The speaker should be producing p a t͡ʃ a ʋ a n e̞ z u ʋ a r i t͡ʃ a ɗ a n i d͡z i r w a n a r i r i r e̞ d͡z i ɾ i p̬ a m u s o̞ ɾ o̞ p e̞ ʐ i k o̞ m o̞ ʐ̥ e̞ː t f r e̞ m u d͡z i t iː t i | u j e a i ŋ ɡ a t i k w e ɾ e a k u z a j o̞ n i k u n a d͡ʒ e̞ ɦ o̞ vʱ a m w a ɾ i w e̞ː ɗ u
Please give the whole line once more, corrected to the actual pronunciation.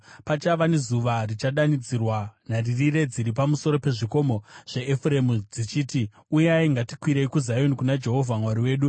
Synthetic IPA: p a t͡ʃ a ʋ a n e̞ z u ʋ a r i t͡ʃ a ɗ a n i d͡z i r w a n a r i r i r e̞ d͡z i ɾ i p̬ a m u s o̞ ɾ o̞ p e̞ ʐ i k o̞ m o̞ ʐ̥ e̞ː f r e̞ m u d͡z i t͡ʃ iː t i | u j e a i ŋ ɡ a t i k w i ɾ e i k u z a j o̞ n i k u n a d͡ʒ e̞ ɦ o̞ vʱ a m w a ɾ i w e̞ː ɗ u

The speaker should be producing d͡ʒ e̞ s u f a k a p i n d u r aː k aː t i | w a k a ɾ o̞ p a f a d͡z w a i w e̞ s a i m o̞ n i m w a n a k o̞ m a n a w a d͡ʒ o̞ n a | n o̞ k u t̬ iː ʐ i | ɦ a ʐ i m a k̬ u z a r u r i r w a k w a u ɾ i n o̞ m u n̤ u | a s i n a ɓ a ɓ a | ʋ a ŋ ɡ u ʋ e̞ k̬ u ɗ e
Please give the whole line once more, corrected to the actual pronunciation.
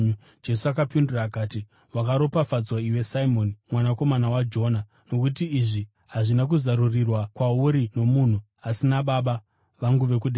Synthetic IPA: d͡ʒ e̞ s u a k a p i n d u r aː k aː t i | w a k a ɾ o̞ p a f a d͡z w a i w e̞ s a i m o̞ n i m w a n a k o̞ m a n a w a d͡ʒ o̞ n a | n o̞ k u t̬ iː ʐ i | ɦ a ʐ i n a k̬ u z a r u r i r w a k w a u ɾ i n o̞ m u n̤ u | a s i n a ɓ a ɓ a | ʋ a ŋ ɡ u ʋ e̞ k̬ u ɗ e

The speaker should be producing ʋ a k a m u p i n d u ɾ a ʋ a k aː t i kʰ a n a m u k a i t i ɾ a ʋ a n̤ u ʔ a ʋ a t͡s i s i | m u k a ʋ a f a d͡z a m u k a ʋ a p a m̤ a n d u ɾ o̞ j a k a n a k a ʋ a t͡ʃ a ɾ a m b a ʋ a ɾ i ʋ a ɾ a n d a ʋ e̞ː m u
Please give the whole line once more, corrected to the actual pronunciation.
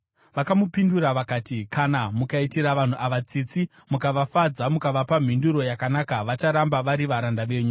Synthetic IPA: ʋ a k a m u p i n d u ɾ a ʋ a k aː t i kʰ a n a m u k a i t i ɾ a ʋ a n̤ u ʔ a ʋ a t͡s i t͡s i | m u k a ʋ a f a d͡z a m u k a ʋ a p a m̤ i n d u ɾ o̞ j a k a n a k a ʋ a t͡ʃ a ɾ a m b a ʋ a ɾ i ʋ a ɾ a n d a ʋ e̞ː ɲ u

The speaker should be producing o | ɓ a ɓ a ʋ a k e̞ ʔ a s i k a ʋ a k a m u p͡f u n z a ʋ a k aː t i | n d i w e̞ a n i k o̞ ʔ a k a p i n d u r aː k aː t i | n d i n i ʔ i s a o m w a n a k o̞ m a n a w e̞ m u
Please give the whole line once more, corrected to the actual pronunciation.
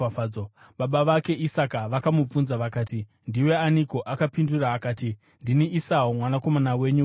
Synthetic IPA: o | ɓ a ɓ a ʋ a k e̞ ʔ i s a k a ʋ a k a m u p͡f u n z a ʋ a k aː t i | n d i w e̞ a n i k o̞ ʔ a k a p i n d u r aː k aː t i | n d i n i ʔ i s a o m w a n a k o̞ m a n a w e̞ ɲ u

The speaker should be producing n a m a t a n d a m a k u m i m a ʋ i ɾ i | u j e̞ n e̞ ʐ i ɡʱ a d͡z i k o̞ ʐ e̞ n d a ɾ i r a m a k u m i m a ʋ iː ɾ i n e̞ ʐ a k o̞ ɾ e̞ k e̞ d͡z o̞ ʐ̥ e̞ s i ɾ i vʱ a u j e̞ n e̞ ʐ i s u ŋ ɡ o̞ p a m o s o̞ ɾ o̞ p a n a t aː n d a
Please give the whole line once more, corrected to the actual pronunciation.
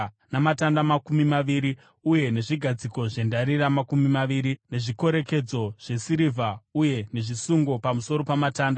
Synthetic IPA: n a m a t a n d a m a k u m i m a ʋ i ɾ i | u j e̞ n e̞ ʐ i ɡʱ a d͡z i k o̞ ʐ e̞ n d a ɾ i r a m a k u m i m a ʋ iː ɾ i n e̞ ʐ i k o̞ ɾ e̞ k e̞ d͡z o̞ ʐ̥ e̞ s i ɾ i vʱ a u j e̞ n e̞ ʐ i s u ŋ ɡ o̞ p a m u s o̞ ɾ o̞ p a m a t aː n d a

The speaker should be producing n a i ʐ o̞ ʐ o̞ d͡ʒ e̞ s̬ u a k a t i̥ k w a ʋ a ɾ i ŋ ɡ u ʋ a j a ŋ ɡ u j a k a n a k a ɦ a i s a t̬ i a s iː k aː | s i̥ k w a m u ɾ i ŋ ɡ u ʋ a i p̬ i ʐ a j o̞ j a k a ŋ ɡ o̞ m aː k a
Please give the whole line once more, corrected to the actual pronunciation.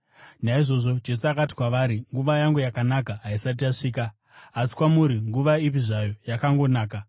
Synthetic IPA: n a i ʐ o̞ ʐ o̞ d͡ʒ e̞ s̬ u a k a t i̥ k w a ʋ a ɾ i ŋ ɡ u ʋ a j a ŋ ɡ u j a k a n a k a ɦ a i s a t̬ i a ʂ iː k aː | s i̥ k w a m u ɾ i ŋ ɡ u ʋ a i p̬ i ʐ a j o̞ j a k a ŋ ɡ o̞ n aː k a

